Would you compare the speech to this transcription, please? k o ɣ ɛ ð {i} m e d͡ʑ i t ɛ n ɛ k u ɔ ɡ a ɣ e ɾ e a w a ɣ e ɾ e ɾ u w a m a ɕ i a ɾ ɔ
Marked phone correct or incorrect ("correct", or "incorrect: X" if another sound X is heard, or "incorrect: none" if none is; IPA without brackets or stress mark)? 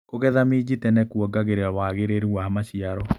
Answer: incorrect: a